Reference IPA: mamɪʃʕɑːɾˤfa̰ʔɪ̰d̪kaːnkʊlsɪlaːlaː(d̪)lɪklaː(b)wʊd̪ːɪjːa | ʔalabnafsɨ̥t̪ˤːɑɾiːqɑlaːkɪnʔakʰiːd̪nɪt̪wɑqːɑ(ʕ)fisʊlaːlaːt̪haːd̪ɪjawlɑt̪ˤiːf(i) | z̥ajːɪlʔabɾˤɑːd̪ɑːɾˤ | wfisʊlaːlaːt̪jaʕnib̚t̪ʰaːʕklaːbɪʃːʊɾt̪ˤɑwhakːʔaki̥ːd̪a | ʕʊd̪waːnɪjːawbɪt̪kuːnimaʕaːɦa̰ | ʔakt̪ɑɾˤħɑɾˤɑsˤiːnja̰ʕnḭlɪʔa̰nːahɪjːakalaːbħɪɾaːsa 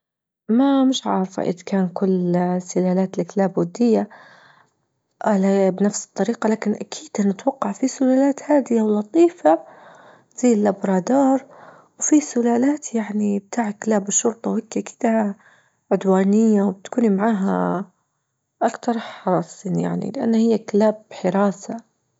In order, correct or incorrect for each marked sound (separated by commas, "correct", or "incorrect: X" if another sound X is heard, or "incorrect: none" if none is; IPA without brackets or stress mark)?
incorrect: t̪, correct, correct, incorrect: a